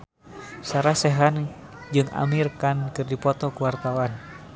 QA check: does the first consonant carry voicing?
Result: no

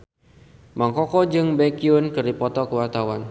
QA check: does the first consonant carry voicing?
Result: yes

